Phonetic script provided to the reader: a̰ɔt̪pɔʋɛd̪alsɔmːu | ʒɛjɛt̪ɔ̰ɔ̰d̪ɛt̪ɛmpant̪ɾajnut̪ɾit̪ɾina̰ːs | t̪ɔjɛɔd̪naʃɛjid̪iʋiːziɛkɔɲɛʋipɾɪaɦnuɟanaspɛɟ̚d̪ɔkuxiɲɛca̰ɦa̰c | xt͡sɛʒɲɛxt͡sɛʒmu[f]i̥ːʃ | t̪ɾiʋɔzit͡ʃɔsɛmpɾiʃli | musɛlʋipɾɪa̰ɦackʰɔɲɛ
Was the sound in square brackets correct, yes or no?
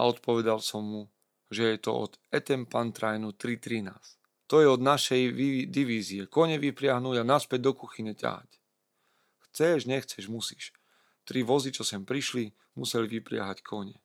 no